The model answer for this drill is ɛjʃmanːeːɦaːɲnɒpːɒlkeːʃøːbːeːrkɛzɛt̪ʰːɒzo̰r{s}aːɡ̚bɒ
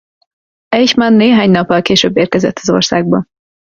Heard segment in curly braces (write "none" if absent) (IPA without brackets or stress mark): s